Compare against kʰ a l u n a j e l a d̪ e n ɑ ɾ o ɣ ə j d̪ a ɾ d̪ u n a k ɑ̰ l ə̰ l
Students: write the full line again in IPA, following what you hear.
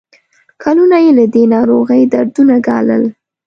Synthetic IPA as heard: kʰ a l u n a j e l a d̪ e n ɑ ɾ o ɣ ə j d̪ a ɾ d̪ u n a ɡ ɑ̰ l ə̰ l